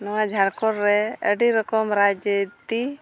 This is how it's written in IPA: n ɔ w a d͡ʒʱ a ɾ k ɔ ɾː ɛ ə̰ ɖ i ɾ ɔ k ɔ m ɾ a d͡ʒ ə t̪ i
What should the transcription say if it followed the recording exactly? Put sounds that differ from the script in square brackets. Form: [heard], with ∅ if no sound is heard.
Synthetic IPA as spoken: n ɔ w a d͡ʒʱ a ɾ k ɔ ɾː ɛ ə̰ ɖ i ɾ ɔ k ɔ m ɾ a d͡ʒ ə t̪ i